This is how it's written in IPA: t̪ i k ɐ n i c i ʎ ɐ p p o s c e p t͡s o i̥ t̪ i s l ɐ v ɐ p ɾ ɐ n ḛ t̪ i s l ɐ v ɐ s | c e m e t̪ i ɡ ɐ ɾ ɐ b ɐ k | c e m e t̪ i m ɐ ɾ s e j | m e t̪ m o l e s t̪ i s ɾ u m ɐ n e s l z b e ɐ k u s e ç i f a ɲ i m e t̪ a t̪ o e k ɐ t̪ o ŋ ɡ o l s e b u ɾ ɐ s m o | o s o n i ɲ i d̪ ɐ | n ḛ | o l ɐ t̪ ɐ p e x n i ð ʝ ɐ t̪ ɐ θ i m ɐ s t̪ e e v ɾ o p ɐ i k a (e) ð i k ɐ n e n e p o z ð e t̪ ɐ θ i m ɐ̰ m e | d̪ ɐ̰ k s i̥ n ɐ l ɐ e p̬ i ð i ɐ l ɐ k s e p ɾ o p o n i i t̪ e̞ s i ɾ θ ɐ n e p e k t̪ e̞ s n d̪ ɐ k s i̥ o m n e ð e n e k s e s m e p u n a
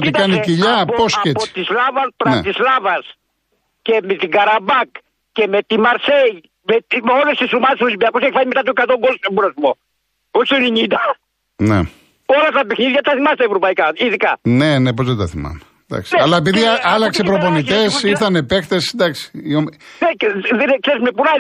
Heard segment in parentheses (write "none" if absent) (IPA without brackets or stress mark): i